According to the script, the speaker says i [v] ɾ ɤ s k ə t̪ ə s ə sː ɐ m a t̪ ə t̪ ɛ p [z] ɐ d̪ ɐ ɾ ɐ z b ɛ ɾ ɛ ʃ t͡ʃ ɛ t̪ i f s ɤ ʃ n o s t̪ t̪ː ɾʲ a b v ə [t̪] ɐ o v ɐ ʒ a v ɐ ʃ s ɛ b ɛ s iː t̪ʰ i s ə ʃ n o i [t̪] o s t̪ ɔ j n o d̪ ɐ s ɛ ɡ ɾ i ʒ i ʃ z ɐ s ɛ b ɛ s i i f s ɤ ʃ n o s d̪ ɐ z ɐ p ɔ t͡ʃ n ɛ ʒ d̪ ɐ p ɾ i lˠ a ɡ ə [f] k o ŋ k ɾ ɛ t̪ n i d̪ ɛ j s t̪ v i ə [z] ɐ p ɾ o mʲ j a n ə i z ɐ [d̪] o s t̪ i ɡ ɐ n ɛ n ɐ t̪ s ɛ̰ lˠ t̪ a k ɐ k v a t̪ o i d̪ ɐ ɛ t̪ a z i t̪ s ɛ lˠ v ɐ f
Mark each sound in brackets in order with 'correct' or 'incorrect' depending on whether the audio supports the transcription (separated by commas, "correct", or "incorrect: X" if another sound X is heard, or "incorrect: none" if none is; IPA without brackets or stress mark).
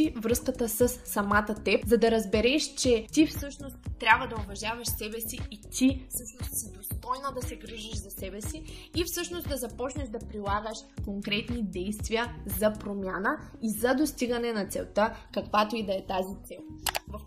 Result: correct, correct, incorrect: d̪, incorrect: d̪, incorrect: ʃ, correct, correct